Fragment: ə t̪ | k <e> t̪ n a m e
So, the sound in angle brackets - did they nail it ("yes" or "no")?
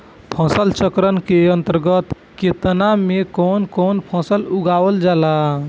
yes